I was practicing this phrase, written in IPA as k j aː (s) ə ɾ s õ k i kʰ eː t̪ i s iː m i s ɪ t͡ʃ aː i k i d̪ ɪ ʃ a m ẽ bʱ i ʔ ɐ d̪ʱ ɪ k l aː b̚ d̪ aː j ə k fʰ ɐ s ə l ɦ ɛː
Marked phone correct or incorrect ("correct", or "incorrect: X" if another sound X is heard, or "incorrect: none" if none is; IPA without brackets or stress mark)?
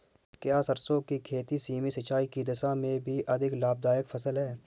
correct